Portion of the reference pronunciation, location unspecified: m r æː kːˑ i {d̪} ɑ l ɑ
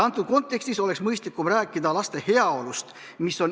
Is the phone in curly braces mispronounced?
no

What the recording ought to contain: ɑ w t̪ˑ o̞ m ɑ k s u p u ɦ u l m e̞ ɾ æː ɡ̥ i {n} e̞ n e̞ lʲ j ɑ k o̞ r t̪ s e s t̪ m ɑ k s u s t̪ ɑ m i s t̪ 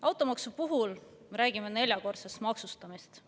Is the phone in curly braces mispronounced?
yes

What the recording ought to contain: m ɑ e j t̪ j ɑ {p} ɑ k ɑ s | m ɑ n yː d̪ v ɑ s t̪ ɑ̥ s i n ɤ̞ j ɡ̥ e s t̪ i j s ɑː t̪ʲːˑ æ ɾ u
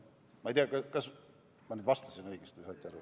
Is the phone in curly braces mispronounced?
yes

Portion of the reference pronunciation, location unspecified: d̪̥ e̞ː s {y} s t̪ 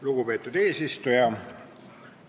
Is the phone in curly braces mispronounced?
yes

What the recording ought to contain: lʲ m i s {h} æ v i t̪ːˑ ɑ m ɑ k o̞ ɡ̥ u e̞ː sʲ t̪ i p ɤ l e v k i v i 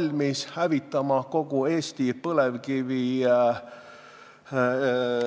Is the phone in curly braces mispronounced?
no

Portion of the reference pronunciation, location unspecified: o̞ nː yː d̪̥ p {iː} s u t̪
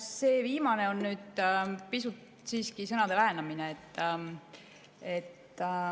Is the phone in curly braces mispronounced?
yes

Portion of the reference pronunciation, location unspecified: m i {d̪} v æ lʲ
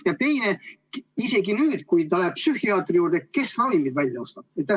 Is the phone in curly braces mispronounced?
no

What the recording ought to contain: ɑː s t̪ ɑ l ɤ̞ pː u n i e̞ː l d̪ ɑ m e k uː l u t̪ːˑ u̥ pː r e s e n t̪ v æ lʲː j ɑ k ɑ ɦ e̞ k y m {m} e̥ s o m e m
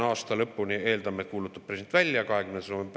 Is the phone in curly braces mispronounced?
yes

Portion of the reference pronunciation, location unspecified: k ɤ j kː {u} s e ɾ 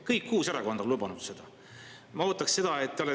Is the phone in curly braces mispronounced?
yes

